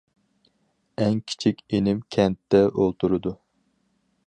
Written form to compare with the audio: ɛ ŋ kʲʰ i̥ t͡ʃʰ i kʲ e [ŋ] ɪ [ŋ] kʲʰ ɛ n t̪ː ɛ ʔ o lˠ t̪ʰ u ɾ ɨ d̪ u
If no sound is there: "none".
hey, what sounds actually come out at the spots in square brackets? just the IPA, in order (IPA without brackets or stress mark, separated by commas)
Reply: n, m